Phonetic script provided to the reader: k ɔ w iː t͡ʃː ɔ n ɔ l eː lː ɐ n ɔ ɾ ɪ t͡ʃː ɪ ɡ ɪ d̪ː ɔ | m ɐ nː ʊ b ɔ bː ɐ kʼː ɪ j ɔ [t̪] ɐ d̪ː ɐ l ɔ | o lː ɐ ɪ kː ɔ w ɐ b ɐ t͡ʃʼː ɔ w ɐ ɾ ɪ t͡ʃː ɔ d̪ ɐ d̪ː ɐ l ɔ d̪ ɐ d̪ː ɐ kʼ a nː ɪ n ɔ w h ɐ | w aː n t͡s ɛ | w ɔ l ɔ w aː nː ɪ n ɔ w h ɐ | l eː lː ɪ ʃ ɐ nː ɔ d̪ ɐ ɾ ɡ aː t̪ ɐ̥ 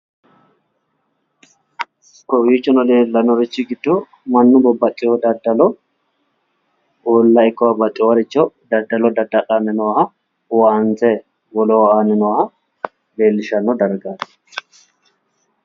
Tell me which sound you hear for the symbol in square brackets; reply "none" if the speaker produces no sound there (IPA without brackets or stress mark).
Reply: d̪